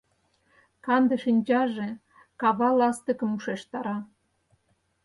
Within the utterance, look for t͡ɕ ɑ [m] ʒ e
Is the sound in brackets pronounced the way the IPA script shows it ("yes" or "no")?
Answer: no